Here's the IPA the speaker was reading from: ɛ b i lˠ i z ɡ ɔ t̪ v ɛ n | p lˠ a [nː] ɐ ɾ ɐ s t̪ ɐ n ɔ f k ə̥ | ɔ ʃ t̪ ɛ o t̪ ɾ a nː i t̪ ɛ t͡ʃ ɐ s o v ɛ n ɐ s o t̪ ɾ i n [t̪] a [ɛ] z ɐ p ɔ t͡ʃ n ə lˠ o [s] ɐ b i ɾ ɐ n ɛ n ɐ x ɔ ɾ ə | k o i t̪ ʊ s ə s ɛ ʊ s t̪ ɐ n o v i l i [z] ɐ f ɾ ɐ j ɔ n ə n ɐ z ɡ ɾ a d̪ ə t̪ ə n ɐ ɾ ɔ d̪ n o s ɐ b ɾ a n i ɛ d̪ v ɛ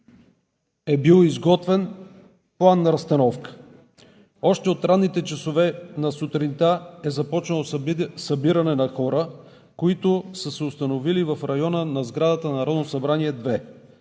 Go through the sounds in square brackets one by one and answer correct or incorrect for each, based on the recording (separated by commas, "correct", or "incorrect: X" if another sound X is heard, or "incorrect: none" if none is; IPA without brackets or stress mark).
correct, correct, correct, correct, incorrect: v